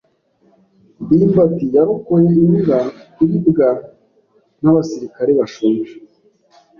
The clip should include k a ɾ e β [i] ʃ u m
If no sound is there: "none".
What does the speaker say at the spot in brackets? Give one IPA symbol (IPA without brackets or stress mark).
a